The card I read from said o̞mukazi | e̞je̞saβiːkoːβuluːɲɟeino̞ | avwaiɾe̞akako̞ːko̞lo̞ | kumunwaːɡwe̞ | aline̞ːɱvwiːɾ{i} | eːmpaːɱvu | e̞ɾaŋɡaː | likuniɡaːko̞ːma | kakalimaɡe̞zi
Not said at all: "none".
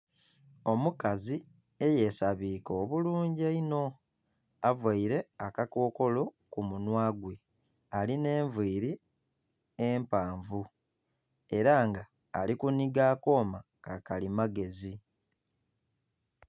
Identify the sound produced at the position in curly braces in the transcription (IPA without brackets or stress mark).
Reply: i